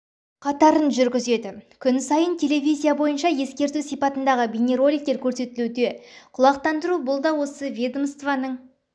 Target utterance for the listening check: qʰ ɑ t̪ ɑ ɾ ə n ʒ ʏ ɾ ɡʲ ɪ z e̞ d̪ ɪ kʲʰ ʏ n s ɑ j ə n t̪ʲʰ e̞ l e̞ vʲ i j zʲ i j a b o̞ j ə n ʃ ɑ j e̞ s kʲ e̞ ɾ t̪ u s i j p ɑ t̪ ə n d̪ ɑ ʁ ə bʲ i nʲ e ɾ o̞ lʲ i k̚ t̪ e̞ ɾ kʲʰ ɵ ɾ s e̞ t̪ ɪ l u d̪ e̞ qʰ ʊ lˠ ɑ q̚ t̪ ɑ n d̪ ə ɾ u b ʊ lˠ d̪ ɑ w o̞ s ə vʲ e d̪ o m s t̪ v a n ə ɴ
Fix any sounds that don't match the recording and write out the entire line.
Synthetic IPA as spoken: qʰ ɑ t̪ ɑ ɾ ə n ʒ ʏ ɾ ɡʲ ɪ z e̞ d̪ ɪ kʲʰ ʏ n s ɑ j ə n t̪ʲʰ e̞ l e̞ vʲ i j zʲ i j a b o̞ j ə n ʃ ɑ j e̞ s kʲ e̞ ɾ t̪ u s i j p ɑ t̪ ə n d̪ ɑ ʁ ə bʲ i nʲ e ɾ o̞ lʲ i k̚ t̪ e̞ ɾ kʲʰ ɵ ɾ s e̞ t̪ ɪ l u d̪ e̞ qʰ ʊ lˠ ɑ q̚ t̪ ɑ n d̪ ə ɾ u b ʊ lˠ d̪ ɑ w o̞ s ə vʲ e d̪ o m s t̪ v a n ə ɴ